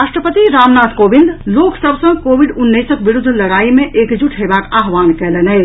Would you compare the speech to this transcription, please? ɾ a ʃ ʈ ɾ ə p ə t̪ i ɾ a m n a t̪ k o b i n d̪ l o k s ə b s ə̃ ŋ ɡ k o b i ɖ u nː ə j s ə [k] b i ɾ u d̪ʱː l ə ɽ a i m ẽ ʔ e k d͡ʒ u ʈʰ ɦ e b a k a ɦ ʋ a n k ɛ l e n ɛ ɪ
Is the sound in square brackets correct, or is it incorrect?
correct